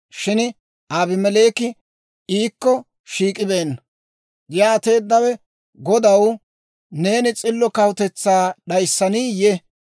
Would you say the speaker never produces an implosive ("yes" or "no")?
no